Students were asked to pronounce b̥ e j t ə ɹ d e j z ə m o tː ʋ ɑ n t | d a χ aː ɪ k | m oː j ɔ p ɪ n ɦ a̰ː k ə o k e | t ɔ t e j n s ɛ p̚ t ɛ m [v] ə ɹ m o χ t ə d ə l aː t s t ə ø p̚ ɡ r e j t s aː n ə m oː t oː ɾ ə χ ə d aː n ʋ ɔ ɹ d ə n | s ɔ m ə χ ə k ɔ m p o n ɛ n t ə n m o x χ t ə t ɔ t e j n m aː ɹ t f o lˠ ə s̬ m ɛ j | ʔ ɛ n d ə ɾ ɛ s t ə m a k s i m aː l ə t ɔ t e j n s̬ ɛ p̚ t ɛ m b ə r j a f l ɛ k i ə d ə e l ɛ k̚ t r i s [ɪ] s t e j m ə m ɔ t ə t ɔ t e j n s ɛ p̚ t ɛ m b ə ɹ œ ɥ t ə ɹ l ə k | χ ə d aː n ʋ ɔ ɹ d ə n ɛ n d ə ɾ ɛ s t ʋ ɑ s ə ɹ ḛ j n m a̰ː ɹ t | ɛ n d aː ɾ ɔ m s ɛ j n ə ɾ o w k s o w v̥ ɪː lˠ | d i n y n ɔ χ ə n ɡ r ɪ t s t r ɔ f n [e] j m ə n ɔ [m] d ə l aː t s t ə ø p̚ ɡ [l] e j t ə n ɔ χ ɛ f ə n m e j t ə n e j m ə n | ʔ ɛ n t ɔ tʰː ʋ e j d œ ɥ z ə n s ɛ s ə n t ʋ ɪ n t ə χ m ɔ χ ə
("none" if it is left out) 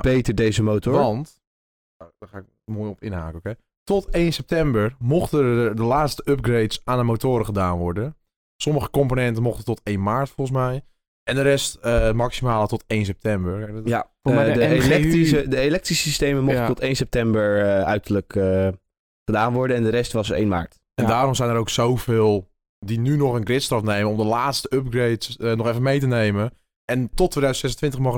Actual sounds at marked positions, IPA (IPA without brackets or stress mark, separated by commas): b, i, e, m, r